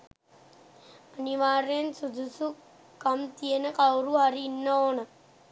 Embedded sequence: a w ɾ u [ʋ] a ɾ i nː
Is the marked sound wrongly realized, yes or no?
yes